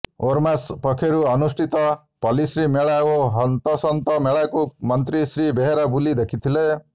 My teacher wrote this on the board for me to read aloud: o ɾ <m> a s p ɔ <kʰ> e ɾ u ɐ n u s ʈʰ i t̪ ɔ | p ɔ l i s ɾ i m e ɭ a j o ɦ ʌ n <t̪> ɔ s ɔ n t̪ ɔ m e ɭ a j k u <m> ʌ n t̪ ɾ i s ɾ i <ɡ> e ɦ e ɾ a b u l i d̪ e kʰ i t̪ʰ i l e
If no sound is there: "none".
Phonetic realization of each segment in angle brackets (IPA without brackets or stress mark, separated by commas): m, kʰ, t̪, m, b